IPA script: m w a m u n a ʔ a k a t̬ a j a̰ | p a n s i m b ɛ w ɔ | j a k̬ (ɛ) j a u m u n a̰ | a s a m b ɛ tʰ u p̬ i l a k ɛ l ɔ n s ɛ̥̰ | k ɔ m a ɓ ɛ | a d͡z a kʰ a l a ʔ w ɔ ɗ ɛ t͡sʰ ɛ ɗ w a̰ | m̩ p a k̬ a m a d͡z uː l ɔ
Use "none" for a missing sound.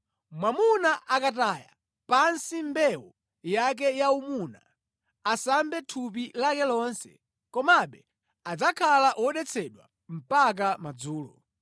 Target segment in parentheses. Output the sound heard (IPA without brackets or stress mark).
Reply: ɛ